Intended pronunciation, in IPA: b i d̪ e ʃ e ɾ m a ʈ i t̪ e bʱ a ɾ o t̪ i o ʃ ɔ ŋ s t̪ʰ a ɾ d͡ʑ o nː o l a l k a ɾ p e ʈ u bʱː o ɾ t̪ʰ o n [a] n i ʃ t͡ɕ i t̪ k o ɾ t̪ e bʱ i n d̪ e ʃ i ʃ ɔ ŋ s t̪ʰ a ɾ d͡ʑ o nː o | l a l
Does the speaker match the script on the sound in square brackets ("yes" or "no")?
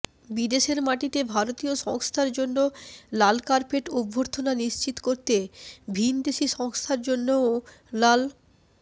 yes